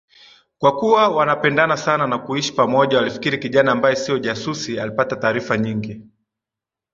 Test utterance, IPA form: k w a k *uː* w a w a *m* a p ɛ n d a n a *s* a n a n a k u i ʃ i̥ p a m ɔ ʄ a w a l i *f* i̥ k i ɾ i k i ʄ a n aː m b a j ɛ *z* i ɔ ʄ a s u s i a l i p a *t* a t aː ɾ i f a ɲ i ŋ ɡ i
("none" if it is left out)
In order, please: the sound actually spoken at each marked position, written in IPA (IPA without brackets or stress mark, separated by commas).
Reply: u, n, s, f, s, t